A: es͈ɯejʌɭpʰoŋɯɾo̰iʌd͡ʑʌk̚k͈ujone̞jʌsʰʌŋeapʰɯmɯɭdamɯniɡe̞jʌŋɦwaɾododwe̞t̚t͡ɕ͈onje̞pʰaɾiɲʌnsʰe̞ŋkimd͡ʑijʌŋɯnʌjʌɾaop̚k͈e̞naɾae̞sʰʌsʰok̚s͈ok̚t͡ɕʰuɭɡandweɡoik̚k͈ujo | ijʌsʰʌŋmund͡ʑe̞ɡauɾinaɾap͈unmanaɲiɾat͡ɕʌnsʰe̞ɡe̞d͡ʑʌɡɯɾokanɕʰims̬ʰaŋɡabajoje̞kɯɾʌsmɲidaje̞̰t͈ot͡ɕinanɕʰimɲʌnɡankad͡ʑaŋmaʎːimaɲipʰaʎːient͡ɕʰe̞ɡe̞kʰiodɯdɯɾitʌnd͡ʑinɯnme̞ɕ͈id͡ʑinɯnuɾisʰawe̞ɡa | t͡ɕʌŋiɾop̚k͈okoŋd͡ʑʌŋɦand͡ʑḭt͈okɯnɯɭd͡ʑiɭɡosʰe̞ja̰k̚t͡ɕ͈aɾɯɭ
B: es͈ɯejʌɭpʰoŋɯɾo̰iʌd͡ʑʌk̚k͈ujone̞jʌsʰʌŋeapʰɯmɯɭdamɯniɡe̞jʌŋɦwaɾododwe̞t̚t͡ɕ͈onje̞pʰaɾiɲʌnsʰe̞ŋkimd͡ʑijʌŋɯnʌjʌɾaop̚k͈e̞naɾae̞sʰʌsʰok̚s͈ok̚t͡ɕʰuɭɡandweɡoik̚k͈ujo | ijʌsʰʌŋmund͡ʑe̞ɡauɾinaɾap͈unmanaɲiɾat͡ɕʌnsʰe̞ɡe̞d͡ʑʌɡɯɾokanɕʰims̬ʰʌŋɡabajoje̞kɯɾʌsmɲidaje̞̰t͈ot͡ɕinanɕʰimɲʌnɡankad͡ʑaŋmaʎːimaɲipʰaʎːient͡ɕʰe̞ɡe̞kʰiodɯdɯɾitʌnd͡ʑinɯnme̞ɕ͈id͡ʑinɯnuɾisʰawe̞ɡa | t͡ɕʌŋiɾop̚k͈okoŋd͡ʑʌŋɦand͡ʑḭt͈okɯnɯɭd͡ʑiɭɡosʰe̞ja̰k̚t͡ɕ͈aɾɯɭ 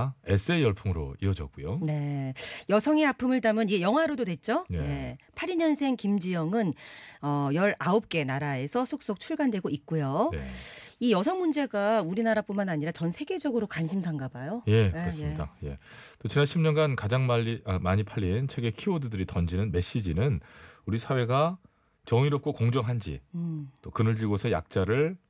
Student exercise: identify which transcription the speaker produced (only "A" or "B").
A